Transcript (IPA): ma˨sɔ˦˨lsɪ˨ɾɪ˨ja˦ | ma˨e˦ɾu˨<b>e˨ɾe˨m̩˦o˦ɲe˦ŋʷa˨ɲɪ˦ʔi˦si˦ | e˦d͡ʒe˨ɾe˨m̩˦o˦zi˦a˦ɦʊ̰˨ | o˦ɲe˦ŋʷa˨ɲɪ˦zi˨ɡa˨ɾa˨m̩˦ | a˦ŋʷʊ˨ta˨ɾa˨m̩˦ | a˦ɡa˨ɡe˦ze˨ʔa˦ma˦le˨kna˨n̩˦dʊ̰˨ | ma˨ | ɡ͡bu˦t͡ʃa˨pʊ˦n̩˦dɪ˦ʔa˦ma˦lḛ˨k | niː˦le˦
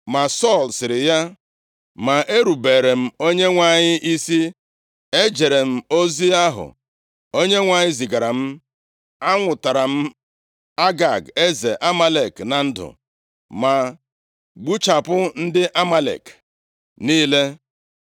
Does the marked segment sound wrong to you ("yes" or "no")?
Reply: no